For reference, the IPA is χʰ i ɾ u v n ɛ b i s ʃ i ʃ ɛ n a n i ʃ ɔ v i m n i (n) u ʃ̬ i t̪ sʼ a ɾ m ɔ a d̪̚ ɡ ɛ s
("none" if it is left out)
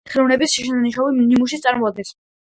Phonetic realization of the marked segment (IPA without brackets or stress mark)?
m